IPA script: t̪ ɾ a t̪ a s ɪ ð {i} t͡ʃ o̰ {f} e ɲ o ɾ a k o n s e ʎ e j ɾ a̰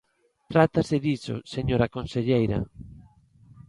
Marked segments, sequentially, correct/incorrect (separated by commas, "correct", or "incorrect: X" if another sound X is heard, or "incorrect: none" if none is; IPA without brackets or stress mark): correct, incorrect: s